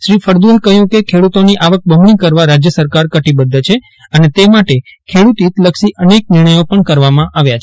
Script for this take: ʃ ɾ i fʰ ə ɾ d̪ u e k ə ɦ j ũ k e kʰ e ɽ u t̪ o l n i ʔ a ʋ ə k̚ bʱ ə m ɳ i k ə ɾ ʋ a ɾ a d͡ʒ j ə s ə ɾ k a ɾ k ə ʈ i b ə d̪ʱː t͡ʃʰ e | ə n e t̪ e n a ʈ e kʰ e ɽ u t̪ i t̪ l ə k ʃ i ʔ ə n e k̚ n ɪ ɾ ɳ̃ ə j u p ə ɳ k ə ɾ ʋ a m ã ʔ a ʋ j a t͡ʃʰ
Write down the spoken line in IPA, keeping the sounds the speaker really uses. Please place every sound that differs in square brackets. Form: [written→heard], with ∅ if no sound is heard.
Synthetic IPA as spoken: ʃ ɾ i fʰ ə ɾ d̪ u e k ə ɦ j ũ k e kʰ e ɽ u t̪ o [l→∅] n i ʔ a ʋ ə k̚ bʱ ə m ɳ i k ə ɾ ʋ a ɾ a d͡ʒ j ə s ə ɾ k a ɾ k ə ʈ i b ə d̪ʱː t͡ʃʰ e | ə n e t̪ e [n→m] a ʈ e kʰ e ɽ u t̪ i t̪ l ə k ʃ i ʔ ə n e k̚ n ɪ ɾ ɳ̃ ə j [u→o] p ə ɳ k ə ɾ ʋ a m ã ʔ a ʋ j a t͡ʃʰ